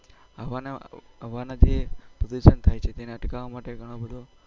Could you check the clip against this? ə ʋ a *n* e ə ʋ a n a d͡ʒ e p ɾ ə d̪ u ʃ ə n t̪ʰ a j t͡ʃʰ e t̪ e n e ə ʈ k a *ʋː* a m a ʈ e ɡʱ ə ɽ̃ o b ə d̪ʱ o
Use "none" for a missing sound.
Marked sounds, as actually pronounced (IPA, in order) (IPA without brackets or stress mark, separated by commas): n, ʋ